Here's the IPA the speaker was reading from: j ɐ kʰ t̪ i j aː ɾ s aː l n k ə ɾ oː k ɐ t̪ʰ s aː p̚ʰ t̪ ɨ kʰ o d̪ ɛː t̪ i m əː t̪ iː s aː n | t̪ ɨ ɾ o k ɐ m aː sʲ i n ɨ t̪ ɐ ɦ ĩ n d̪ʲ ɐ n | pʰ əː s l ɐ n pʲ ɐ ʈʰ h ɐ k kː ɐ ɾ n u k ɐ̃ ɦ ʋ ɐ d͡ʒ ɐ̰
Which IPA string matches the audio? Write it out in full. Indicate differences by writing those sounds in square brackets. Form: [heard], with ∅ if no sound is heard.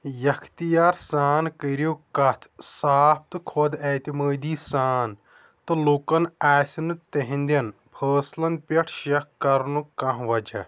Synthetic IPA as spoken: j ɐ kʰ t̪ i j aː ɾ s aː [∅] n k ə ɾ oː k ɐ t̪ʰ s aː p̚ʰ t̪ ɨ kʰ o d̪ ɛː t̪ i m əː [d̪] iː s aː n | t̪ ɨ [l] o k ɐ [n] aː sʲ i n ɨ t̪ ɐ ɦ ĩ n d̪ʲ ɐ n | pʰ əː s l ɐ n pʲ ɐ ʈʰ [ʃ] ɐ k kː ɐ ɾ n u k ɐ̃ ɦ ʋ ɐ d͡ʒ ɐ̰